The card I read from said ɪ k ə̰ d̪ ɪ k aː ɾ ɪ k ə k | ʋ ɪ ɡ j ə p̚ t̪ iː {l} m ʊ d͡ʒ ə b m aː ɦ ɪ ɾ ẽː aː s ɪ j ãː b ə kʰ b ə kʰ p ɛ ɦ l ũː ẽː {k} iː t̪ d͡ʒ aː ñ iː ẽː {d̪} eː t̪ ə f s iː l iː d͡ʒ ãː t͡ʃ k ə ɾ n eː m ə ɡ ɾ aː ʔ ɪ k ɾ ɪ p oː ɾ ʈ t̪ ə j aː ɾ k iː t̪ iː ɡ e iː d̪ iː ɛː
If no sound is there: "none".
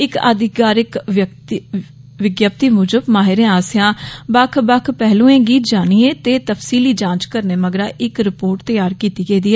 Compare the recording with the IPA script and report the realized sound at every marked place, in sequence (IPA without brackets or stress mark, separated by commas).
none, ɡ, t̪